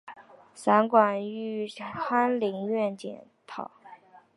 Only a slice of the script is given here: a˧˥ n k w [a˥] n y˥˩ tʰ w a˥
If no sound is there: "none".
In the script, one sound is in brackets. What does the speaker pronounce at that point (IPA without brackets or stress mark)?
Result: a˨˩